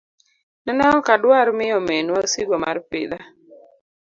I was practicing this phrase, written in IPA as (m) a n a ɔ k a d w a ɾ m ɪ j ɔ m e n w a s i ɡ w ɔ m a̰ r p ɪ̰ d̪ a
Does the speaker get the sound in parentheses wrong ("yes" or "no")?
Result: yes